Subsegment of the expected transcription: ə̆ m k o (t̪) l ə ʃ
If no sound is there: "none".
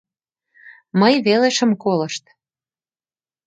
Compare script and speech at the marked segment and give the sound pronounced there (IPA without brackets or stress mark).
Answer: none